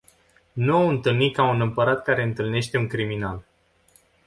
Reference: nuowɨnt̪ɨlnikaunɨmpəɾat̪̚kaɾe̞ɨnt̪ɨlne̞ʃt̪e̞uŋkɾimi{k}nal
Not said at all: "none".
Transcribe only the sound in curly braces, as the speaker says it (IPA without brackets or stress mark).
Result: none